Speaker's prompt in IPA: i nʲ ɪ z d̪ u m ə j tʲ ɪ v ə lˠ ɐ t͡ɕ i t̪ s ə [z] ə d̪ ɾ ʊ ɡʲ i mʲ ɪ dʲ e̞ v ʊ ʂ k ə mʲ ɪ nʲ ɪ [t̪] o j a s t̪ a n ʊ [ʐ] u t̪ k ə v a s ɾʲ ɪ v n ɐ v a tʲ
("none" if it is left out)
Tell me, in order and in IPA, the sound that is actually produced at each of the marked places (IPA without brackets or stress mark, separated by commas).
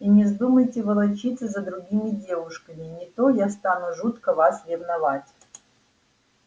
z, t̪, ʐ